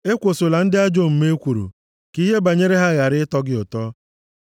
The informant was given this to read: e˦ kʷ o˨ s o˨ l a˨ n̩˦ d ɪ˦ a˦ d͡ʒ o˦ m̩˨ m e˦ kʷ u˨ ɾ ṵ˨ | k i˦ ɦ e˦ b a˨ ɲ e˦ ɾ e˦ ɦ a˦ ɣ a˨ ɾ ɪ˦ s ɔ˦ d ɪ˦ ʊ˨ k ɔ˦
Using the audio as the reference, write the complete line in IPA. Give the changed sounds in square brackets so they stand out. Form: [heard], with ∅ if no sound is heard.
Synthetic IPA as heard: e˦ kʷ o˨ s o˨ l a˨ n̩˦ d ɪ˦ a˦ d͡ʒ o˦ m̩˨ m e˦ kʷ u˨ ɾ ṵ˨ | k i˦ ɦ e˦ b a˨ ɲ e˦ ɾ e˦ ɦ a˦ ɣ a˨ ɾ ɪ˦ [t] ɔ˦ [ɡ] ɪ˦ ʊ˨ [t] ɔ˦